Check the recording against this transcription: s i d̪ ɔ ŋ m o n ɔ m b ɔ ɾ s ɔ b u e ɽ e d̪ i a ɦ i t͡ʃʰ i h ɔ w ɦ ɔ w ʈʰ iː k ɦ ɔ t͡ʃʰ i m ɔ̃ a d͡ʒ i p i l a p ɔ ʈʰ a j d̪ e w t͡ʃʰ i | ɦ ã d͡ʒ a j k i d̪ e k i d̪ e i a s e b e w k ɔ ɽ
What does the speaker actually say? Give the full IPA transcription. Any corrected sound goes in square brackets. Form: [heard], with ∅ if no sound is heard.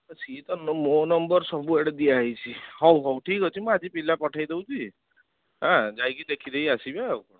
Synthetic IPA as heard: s i [t̪] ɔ [n] m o n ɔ m b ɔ ɾ s ɔ b u e ɽ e d̪ i a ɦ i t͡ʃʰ i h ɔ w ɦ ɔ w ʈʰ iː k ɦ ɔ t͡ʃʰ i m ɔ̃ a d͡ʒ i p i l a p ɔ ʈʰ a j d̪ e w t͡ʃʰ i | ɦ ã d͡ʒ a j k i d̪ e [kʰ] i d̪ e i a s [i] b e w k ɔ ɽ